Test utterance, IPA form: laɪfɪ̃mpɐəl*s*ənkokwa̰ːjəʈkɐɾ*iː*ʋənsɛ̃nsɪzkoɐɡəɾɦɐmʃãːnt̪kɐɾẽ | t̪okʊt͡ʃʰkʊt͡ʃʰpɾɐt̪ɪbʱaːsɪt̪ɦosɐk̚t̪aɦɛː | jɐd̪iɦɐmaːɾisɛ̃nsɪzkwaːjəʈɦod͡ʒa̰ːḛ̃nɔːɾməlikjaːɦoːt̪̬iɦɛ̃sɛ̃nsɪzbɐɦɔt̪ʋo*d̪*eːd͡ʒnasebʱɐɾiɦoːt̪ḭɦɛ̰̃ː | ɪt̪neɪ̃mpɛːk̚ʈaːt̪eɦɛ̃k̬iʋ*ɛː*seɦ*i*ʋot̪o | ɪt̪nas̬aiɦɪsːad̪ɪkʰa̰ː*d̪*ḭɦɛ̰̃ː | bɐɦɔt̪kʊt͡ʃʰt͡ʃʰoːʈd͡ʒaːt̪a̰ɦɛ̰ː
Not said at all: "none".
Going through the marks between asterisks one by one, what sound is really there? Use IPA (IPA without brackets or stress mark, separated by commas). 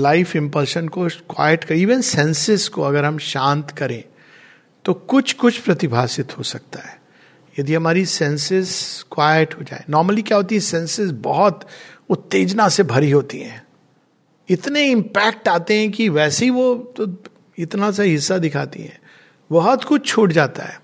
ʃ, iː, t̪, ɛː, i, t̪